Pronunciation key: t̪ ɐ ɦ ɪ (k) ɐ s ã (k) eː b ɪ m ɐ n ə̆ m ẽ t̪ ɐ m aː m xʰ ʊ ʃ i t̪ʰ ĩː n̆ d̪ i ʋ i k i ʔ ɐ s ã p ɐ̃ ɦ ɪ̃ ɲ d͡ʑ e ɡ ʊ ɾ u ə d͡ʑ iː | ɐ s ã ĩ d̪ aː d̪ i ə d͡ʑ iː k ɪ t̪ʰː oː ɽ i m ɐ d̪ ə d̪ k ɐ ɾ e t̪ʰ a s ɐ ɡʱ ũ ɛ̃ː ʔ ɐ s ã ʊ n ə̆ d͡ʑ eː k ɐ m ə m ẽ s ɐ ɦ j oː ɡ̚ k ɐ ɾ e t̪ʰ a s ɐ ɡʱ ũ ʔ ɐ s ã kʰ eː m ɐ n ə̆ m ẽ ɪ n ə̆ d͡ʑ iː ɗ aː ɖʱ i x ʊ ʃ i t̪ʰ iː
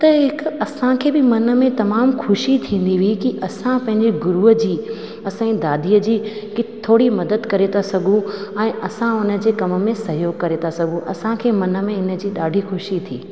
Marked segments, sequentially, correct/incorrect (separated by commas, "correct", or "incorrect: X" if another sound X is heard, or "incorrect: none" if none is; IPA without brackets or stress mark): correct, incorrect: kʰ